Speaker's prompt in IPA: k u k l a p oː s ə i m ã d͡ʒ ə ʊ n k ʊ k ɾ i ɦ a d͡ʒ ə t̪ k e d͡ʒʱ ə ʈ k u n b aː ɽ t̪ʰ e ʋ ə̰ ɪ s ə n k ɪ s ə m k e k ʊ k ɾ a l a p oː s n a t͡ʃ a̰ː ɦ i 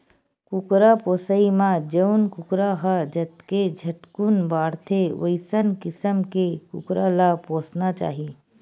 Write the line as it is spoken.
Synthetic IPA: k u k ɾ a p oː s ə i m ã d͡ʒ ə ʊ n k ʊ k ɾ a ɦ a d͡ʒ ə t̪ k e d͡ʒʱ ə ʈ k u n b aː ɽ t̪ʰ e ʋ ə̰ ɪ s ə n k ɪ s ə m k e k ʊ k ɾ a l a p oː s n a t͡ʃ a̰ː ɦ i